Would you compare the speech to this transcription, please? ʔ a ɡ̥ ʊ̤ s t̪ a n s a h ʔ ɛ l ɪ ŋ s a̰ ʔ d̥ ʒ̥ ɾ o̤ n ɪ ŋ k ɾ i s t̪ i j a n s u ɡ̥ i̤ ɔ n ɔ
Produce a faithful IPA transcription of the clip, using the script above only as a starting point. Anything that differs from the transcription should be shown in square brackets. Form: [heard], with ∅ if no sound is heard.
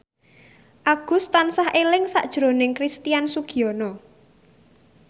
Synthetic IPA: ʔ a ɡ̥ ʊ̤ s t̪ a n s a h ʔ [e] l ɪ ŋ s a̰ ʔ d̥ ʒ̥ ɾ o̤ n ɪ ŋ k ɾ i s t̪ i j a n s u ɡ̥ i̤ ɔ n ɔ